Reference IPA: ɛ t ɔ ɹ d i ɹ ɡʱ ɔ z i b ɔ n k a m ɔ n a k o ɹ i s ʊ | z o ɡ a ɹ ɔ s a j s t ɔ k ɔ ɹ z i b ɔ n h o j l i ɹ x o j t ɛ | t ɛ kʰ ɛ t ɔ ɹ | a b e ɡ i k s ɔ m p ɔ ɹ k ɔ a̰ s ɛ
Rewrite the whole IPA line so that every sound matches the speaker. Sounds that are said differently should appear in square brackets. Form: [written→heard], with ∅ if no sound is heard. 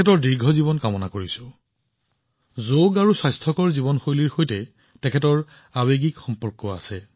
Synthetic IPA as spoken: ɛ t ɔ ɹ d i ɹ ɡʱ ɔ z i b ɔ n k a m ɔ n a k o ɹ i s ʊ | z o ɡ a ɹ [ɔ→u] s a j s [t→tʰ] ɔ k ɔ ɹ z i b ɔ n [h→x] o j l i ɹ x o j t ɛ | t ɛ kʰ ɛ t ɔ ɹ | a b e ɡ i k [s→x] ɔ m p ɔ ɹ k ɔ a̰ s ɛ